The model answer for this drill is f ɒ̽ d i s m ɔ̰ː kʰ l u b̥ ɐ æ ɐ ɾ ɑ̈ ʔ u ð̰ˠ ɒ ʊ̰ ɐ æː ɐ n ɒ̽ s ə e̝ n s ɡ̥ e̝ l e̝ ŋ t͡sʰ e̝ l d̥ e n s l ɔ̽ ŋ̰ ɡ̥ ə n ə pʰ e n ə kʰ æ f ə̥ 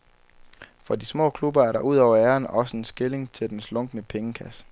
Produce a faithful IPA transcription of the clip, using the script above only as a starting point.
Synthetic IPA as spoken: f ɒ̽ d i s m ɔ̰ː kʰ l u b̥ ɐ æ ɐ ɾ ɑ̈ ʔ u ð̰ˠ ɒ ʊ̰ ɐ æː ɐ n ɒ̽ s ə e̝ n s ɡ̥ e̝ l e̝ ŋ t͡sʰ e̝ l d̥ e n s l ɔ̽ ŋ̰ ɡ̥ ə n ə pʰ e ŋ ə kʰ æ s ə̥